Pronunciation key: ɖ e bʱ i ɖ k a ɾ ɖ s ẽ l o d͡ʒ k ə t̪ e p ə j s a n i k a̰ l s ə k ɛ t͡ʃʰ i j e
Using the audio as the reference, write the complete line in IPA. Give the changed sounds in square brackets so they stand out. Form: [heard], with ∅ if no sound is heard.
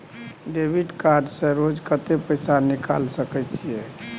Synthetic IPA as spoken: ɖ e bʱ i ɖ k a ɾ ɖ s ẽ [ɾ] o d͡ʒ k ə t̪ e p ə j s a n i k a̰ l s ə k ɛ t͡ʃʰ i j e